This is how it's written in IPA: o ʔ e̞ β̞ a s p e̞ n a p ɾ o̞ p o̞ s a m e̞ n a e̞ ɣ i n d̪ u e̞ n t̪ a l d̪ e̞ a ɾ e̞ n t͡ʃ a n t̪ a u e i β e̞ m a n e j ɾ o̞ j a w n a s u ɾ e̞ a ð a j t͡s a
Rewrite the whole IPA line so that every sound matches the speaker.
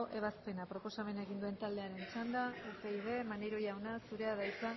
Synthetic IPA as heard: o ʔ e̞ β̞ a s p e̞ n a p ɾ o̞ p o̞ s a m e̞ n a e̞ ɣ i n d̪ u e̞ n t̪ a l d̪ e̞ a ɾ e̞ n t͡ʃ a n d̪ a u e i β e̞ m a n e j ɾ o̞ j a w n a s u ɾ e̞ a ð a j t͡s a